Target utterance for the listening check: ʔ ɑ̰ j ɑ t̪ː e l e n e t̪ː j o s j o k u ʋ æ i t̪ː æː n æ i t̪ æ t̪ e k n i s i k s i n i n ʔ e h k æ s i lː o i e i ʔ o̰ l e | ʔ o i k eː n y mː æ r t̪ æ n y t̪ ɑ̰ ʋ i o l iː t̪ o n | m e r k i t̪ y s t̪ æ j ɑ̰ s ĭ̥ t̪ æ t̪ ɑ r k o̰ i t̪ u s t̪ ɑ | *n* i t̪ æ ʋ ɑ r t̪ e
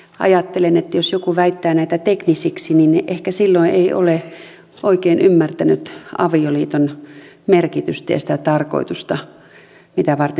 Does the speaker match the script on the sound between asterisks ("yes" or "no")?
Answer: no